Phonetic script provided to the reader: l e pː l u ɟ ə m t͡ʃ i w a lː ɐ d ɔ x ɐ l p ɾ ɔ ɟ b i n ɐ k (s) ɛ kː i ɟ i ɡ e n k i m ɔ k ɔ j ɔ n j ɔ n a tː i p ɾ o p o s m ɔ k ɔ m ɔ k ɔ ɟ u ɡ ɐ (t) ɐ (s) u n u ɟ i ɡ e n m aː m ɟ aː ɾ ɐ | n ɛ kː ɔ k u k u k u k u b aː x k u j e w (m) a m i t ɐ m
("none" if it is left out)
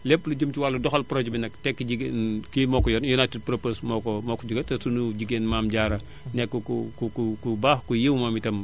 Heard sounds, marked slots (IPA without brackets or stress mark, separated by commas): t, t, s, m